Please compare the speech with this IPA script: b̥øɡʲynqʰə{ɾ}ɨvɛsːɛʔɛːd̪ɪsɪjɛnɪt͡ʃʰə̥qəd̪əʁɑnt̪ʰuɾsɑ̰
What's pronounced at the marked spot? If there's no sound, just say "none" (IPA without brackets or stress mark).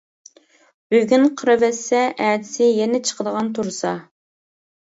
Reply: ɾ